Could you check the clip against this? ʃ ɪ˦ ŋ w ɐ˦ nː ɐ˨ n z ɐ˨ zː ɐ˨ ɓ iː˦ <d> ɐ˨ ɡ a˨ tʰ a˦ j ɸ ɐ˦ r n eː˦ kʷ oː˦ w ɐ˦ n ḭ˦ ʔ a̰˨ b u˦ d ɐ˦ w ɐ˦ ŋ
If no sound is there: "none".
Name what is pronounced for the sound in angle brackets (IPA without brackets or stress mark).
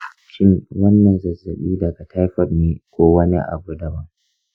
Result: d